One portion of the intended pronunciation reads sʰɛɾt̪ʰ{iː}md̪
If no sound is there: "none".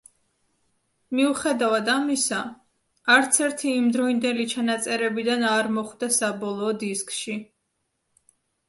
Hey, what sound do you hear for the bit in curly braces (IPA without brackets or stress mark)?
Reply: iː